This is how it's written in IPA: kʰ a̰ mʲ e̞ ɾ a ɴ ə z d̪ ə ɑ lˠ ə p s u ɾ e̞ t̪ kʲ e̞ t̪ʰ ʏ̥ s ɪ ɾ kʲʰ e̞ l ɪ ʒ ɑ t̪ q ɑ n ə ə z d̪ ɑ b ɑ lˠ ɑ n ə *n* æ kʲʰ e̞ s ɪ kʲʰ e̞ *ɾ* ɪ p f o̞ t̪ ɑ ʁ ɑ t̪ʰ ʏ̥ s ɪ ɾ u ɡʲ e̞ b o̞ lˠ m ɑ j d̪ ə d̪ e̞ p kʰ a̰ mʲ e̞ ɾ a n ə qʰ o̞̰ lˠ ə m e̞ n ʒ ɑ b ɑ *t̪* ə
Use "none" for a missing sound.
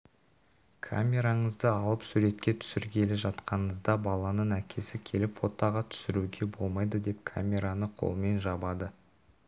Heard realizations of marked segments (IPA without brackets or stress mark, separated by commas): ɴ, l, d̪